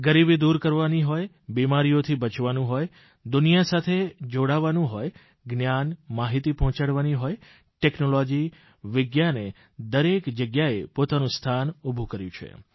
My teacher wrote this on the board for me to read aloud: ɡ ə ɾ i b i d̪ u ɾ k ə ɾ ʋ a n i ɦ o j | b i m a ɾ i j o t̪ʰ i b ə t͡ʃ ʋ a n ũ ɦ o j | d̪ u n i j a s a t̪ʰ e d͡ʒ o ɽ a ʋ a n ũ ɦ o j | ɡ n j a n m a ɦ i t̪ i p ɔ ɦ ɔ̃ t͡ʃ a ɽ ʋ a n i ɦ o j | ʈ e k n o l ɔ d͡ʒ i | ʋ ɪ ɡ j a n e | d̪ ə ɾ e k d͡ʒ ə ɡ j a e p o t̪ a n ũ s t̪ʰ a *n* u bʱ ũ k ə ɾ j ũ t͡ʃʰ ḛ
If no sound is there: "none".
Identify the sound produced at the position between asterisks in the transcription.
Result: n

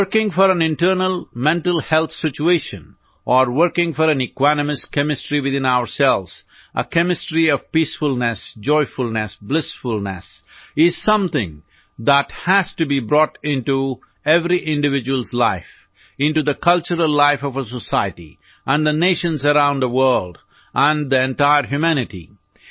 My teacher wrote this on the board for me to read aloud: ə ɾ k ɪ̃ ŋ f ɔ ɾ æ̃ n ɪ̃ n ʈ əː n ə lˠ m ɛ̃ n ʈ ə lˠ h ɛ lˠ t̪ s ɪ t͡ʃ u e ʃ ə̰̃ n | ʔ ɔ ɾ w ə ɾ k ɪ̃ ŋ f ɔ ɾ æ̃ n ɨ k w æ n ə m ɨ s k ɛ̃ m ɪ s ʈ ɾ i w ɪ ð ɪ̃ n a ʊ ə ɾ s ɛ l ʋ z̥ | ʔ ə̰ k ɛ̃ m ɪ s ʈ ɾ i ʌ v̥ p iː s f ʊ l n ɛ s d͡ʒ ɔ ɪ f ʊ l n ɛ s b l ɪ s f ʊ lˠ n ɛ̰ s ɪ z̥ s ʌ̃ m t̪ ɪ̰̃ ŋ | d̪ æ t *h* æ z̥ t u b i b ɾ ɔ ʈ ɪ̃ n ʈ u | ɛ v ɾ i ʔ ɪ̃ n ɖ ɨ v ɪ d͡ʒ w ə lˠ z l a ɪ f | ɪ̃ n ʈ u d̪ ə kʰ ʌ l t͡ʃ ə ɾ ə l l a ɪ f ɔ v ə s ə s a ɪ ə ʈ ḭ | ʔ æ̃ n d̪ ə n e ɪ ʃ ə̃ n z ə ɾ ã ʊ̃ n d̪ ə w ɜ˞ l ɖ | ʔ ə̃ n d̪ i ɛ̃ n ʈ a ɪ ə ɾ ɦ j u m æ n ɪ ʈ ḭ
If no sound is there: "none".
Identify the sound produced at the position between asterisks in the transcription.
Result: h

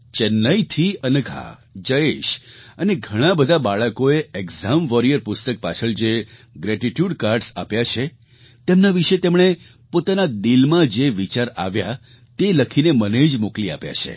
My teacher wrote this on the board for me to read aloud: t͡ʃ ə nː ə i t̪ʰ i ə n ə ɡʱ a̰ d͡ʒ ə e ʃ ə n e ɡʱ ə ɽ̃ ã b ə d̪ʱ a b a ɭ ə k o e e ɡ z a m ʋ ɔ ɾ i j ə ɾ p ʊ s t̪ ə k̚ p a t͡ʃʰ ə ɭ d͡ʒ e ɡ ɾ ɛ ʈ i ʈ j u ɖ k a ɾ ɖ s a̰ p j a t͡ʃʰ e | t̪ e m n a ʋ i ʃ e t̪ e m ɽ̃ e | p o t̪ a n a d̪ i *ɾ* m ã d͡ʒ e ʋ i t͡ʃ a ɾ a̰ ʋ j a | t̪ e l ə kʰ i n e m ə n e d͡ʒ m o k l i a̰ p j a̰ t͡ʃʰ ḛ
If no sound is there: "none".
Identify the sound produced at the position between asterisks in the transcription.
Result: l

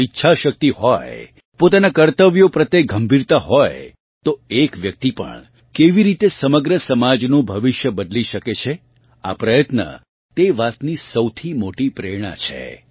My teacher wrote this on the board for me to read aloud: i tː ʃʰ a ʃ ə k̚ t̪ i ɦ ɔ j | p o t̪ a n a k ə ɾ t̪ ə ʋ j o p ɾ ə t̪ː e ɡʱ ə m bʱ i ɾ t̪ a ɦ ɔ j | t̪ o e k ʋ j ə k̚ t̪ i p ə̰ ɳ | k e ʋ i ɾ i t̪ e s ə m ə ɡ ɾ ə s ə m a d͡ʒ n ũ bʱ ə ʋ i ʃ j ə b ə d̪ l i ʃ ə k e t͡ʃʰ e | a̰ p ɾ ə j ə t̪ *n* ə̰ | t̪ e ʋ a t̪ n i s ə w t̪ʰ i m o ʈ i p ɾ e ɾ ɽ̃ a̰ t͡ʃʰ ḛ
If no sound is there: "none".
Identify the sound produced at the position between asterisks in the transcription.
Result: n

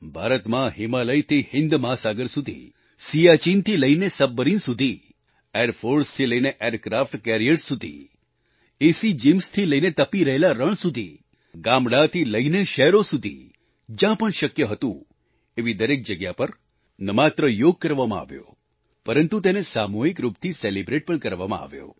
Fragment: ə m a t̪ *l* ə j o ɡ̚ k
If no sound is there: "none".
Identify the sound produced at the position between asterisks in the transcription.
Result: ɾ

